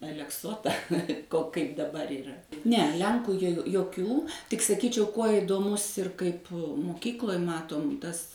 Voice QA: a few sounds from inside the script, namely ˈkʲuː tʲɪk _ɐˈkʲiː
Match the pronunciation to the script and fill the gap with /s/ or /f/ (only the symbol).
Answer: s